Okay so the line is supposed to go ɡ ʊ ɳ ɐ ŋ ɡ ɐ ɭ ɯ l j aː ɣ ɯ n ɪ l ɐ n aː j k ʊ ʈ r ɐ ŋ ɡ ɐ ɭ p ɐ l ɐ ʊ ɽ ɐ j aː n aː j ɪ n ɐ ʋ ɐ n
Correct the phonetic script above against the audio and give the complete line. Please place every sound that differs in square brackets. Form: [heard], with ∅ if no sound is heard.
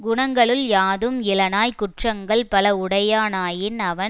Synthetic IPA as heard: ɡ ʊ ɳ ɐ ŋ ɡ ɐ ɭ ɯ l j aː [ð] ɯ [m] ɪ l ɐ n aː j k ʊ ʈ r ɐ ŋ ɡ ɐ ɭ p ɐ l ɐ ʊ ɽ ɐ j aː n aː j ɪ n ɐ ʋ ɐ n